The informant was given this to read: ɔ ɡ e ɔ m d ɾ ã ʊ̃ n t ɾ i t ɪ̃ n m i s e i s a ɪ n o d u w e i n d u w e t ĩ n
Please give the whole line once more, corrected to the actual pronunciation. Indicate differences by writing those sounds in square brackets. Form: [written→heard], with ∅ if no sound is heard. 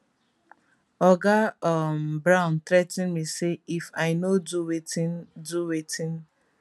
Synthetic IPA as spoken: ɔ ɡ [e→a] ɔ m [d→b] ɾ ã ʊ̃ n t ɾ [i→ɛ] t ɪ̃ n m i s e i [s→f] a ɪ n o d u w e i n d u w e t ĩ n